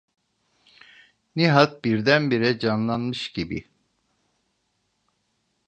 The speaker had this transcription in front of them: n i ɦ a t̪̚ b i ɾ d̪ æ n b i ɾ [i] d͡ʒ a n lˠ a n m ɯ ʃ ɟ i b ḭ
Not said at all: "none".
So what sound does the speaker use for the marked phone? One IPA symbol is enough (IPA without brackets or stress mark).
ɛ